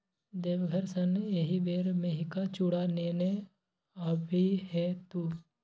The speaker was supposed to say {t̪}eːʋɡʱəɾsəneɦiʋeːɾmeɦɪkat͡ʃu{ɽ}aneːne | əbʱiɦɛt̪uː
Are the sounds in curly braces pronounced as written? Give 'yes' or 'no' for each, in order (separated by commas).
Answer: no, yes